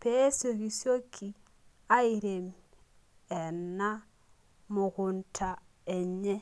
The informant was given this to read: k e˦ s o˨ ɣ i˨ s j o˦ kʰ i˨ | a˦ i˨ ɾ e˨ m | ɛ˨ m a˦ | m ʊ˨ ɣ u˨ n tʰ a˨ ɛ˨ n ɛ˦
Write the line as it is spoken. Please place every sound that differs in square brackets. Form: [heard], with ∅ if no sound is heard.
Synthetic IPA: [p] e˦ s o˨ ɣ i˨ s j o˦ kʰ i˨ | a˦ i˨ ɾ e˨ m | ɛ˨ [n] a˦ | m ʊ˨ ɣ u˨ n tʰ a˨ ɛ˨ [ɲ] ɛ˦